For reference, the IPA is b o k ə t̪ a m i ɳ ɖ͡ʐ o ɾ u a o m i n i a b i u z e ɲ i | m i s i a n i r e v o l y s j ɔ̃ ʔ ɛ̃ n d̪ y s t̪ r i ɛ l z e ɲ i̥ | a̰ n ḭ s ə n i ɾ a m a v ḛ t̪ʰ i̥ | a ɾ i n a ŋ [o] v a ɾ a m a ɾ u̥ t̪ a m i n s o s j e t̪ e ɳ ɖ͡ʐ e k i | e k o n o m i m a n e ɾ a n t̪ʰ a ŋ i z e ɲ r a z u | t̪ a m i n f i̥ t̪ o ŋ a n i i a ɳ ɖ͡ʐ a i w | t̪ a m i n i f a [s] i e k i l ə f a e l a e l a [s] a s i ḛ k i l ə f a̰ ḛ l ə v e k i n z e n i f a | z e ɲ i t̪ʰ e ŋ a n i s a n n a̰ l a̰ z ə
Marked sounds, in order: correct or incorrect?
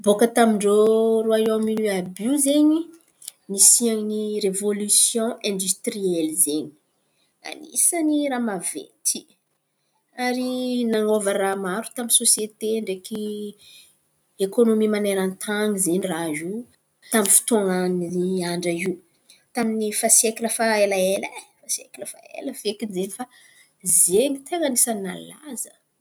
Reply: correct, correct, incorrect: f

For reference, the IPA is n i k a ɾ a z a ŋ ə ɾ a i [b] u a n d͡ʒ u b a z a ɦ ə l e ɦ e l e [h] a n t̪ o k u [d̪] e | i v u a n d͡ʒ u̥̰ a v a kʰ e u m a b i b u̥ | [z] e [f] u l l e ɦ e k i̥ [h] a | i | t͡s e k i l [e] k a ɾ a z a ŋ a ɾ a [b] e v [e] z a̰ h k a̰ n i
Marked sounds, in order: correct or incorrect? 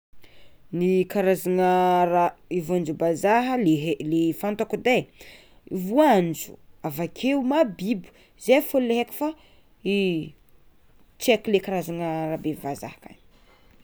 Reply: incorrect: v, incorrect: f, correct, correct, correct, incorrect: f, correct, correct, incorrect: a

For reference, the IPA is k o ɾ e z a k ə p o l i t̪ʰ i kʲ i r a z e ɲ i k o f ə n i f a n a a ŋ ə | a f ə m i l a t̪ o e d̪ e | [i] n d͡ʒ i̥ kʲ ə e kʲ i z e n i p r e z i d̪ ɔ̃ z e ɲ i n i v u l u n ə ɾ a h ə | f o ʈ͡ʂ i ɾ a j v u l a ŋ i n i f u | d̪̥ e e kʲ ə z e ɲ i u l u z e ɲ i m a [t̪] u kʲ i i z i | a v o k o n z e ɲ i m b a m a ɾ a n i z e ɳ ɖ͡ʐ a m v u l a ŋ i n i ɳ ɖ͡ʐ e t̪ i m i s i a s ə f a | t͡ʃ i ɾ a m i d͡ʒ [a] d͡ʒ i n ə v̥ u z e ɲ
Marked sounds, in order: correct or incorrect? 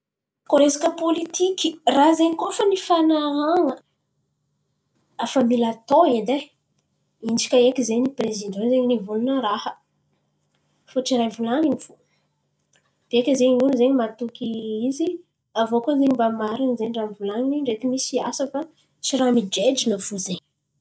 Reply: correct, correct, incorrect: e

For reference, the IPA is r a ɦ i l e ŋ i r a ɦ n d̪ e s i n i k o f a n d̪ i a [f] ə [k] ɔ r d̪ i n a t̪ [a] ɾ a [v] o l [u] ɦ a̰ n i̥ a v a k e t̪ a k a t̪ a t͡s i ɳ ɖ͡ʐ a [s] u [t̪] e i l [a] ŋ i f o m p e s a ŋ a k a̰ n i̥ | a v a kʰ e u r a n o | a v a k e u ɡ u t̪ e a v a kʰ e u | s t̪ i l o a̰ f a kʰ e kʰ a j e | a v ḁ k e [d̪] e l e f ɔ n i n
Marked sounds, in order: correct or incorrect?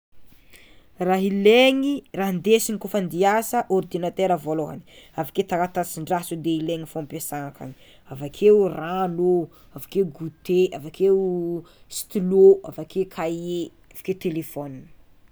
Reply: incorrect: s, incorrect: ʔ, incorrect: e, correct, incorrect: o, correct, incorrect: d̪, incorrect: e, incorrect: t̪

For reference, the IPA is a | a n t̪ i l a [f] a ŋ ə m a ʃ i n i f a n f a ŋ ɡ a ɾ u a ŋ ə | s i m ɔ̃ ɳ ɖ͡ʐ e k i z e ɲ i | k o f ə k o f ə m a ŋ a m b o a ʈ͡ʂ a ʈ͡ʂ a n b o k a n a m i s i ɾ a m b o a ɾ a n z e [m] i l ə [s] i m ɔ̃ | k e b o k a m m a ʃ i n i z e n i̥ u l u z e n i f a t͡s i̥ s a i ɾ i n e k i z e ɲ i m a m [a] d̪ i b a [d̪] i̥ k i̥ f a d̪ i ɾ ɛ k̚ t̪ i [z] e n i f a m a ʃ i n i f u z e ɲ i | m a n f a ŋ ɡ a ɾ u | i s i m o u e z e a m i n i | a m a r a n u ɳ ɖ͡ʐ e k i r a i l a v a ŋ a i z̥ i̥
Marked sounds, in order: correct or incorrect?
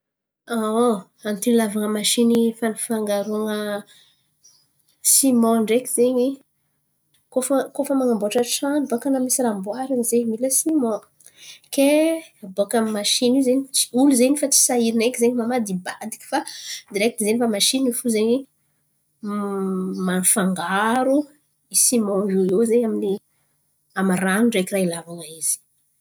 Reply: incorrect: v, correct, correct, correct, correct, correct

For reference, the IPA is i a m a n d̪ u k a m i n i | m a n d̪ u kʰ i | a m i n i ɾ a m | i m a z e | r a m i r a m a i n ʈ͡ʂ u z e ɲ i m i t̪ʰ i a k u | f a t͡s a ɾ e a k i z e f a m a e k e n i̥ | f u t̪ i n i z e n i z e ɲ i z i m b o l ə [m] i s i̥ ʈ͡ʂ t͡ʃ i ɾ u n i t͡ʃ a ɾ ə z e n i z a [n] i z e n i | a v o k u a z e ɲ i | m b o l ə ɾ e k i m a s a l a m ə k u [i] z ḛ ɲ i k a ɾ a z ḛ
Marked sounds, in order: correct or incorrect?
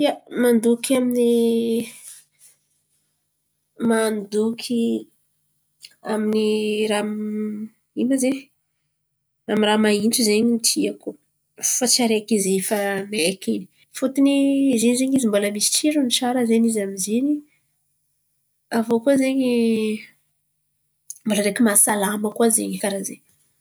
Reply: correct, incorrect: m, incorrect: a

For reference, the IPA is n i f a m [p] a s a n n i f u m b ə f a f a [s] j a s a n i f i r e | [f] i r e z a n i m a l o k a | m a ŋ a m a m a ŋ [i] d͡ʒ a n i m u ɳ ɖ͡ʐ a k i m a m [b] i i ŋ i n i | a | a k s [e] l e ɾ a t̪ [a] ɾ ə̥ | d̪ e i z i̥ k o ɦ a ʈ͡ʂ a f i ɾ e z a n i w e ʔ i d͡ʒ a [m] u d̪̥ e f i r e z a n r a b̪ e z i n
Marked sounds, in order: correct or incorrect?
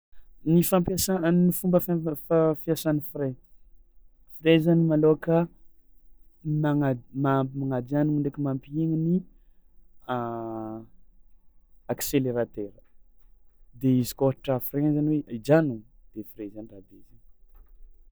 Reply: correct, incorrect: f, correct, incorrect: a, incorrect: p, correct, incorrect: e, incorrect: n

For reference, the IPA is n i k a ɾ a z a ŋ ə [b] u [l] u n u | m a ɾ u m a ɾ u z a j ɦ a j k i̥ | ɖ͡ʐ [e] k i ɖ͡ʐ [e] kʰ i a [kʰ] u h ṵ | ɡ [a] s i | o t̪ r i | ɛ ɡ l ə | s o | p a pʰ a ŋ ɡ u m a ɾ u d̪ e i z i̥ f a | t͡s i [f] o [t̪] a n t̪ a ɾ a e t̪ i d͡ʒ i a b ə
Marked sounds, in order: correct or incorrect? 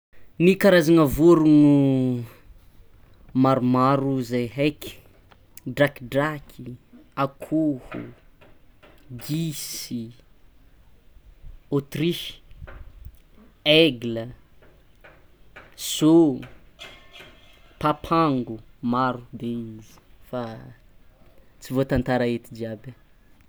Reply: incorrect: v, incorrect: ɾ, incorrect: a, incorrect: a, correct, incorrect: i, incorrect: v, correct

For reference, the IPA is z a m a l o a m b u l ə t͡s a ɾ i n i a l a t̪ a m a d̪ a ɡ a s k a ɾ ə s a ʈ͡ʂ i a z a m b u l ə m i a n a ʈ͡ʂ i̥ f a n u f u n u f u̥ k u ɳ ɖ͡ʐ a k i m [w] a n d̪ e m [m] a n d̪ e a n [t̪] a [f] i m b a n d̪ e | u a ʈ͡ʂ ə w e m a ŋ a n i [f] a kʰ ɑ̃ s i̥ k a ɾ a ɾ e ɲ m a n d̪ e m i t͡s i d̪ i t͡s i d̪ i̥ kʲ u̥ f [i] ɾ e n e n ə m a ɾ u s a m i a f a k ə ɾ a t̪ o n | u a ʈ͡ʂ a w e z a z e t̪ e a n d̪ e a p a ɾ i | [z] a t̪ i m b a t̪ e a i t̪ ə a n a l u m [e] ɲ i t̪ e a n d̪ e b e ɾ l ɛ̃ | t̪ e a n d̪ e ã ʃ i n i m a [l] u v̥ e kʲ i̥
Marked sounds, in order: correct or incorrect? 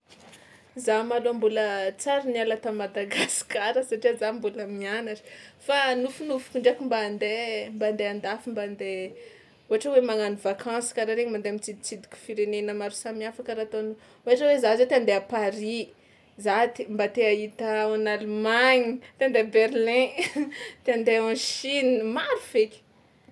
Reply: incorrect: b, incorrect: b, incorrect: d̪, correct, incorrect: v, correct, correct, incorrect: a, incorrect: ɾ

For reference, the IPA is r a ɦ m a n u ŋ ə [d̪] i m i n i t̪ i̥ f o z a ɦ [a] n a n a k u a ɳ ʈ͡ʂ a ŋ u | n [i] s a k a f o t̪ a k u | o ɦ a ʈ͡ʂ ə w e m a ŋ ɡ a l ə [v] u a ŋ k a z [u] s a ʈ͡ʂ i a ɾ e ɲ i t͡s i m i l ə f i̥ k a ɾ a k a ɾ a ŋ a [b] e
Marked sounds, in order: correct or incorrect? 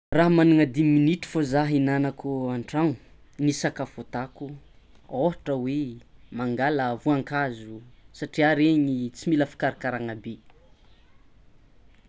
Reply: correct, incorrect: i, correct, correct, correct, correct

